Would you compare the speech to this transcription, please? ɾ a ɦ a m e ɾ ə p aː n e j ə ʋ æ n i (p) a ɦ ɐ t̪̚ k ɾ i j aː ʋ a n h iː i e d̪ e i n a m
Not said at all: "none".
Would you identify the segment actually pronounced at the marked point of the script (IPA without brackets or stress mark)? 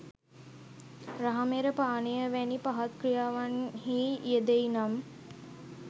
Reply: p